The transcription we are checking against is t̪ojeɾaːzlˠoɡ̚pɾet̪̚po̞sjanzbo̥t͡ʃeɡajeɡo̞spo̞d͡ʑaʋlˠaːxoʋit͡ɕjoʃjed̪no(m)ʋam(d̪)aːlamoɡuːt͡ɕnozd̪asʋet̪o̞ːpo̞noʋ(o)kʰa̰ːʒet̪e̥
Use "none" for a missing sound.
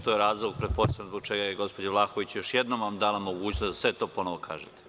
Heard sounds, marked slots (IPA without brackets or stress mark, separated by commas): m, d̪, o